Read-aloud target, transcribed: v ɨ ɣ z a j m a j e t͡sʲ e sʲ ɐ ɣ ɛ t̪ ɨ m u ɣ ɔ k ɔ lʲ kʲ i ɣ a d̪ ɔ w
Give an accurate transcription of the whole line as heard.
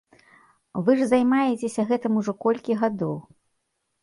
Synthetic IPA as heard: v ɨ ʐ z a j m a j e t͡sʲ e sʲ ɐ ɣ ɛ t̪ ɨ m u ʐ ɔ k ɔ lʲ kʲ i ɣ a d̪ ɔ w